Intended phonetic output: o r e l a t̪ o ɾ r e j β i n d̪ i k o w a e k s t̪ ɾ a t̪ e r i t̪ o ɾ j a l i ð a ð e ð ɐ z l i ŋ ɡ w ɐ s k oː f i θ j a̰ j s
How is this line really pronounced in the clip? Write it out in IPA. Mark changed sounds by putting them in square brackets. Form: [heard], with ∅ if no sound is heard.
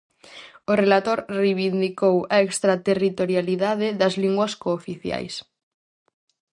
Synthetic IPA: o r e l a t̪ o ɾ r e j β i n d̪ i k o w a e k s t̪ ɾ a t̪ e r i t̪ o ɾ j a l i ð a ð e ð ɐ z l i ŋ ɡ w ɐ s k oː f i θ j a̰ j s